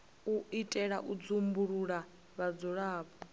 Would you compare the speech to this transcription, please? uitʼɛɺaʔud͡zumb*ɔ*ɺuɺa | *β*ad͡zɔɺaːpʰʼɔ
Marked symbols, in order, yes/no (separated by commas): no, yes